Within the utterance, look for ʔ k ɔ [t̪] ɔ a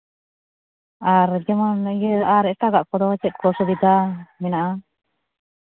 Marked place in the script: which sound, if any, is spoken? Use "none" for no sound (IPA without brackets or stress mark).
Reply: d̪